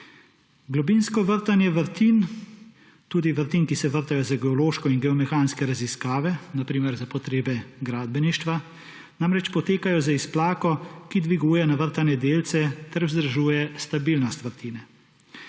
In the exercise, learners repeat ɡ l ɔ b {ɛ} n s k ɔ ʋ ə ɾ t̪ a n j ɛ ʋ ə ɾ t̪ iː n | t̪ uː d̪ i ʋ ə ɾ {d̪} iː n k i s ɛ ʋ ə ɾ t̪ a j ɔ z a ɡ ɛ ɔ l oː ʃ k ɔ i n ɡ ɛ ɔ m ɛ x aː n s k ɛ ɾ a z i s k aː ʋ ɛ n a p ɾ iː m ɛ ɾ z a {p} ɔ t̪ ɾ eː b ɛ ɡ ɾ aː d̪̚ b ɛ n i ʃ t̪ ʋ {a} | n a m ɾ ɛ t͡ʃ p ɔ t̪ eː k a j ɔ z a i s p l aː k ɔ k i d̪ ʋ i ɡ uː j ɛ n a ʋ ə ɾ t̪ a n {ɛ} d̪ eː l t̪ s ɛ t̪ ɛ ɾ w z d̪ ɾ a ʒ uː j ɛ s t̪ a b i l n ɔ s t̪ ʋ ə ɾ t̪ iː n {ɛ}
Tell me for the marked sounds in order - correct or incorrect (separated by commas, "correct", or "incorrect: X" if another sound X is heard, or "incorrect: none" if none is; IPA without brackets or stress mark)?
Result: incorrect: i, incorrect: t̪, correct, correct, correct, correct